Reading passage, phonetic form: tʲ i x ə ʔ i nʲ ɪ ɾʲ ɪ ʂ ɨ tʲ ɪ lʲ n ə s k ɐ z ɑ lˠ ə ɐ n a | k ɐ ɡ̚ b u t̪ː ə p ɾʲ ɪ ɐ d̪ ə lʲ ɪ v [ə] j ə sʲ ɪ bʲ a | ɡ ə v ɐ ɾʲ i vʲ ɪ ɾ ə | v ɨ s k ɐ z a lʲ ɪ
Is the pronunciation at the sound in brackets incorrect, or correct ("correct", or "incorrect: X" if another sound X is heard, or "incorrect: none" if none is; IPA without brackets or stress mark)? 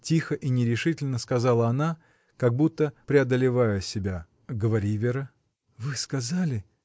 incorrect: a